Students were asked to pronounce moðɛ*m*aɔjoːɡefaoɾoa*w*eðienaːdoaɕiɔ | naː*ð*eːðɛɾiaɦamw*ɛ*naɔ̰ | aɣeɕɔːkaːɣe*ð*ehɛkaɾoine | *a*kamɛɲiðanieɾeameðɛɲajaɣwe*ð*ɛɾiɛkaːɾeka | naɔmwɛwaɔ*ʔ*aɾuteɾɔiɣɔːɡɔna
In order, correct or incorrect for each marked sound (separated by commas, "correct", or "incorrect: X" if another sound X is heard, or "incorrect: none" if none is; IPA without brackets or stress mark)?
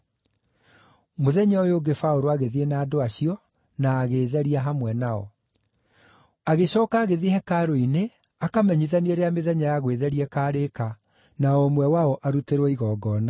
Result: incorrect: ɲ, incorrect: ɣ, incorrect: ɣ, correct, correct, correct, correct, correct